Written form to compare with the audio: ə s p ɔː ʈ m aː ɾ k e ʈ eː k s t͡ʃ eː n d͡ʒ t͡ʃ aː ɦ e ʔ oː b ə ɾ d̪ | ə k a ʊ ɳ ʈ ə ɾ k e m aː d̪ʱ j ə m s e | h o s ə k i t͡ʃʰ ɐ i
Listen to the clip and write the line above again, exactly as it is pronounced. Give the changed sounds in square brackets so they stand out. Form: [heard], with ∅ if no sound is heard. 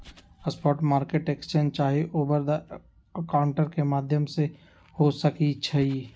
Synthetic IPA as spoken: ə s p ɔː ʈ m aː ɾ k e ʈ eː k s t͡ʃ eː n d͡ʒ t͡ʃ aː ɦ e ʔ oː b ə ɾ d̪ | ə k a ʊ ɳ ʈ ə ɾ k e m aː d̪ʱ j ə m s e | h o s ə k i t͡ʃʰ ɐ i